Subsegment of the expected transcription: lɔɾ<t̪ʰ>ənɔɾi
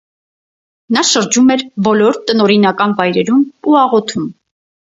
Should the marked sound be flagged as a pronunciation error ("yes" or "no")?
yes